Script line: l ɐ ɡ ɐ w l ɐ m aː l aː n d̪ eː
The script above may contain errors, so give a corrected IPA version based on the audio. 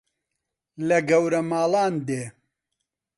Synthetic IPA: l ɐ ɡ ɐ w ɾ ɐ m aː l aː n d̪ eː